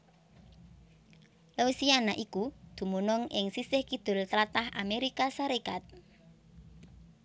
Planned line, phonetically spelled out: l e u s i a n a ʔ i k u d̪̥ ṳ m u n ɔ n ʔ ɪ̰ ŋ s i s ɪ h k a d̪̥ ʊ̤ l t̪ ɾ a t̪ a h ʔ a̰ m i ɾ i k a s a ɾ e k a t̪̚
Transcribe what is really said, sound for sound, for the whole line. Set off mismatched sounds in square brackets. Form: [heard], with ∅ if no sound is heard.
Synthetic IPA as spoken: l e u s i a n a ʔ i k u d̪̥ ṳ m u n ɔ [ŋ] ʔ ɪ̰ ŋ s i s ɪ h k [i] d̪̥ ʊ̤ l t̪ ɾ a t̪ a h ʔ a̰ m [e] ɾ i k a s a ɾ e k a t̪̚